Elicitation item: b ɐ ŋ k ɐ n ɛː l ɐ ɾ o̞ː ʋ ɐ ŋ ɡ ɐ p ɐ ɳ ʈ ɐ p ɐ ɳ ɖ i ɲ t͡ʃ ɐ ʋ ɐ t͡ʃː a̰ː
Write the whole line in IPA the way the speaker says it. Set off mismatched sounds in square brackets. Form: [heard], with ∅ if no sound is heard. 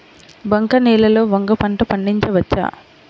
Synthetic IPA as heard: b ɐ ŋ k ɐ n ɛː l ɐ [l] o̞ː ʋ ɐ ŋ ɡ ɐ p ɐ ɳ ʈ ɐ p ɐ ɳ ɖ i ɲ t͡ʃ ɐ ʋ ɐ t͡ʃː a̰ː